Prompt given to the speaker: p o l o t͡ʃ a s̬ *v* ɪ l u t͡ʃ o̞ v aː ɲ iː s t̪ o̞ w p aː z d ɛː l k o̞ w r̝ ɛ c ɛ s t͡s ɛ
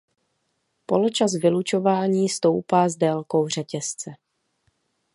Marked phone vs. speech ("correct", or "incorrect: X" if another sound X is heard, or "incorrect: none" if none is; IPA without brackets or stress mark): correct